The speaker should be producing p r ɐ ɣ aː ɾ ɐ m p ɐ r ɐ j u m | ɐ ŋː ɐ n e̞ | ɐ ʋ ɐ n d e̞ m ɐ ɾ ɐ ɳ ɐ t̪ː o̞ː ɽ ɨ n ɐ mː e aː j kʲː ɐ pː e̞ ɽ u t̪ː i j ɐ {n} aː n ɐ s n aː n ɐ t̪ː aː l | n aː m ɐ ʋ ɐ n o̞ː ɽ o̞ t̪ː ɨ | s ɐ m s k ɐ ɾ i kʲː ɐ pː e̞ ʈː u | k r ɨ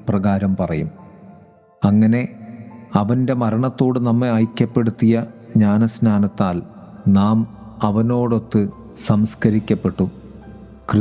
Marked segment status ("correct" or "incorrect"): incorrect